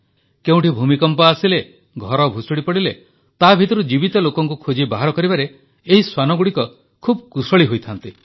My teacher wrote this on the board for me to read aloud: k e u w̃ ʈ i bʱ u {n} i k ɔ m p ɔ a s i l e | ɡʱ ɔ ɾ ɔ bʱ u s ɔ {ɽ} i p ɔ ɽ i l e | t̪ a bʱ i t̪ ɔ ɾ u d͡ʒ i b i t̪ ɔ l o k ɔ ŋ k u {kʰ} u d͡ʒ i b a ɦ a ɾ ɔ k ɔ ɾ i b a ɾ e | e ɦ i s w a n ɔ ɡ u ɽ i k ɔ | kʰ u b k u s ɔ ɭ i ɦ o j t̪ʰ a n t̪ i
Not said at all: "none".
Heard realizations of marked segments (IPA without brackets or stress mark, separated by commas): m, ɽ, kʰ